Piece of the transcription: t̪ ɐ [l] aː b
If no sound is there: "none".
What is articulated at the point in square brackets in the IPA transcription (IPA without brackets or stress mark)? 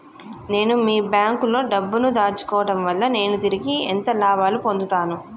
l